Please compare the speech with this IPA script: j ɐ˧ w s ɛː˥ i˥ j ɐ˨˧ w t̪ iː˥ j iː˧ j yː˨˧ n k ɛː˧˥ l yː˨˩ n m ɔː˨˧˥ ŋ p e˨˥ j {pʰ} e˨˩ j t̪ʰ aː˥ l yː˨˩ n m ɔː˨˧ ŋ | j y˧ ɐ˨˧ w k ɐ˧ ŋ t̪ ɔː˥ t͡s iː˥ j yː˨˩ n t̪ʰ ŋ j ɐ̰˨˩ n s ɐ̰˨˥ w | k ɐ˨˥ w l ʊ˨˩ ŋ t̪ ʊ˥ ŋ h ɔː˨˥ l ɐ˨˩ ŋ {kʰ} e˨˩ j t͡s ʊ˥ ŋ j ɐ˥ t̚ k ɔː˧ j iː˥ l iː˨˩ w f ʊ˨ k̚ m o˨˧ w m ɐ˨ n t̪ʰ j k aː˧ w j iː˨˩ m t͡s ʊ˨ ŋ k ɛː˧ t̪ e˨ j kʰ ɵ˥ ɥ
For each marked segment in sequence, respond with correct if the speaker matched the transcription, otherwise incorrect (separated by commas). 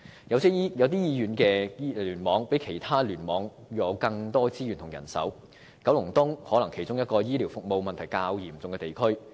incorrect, correct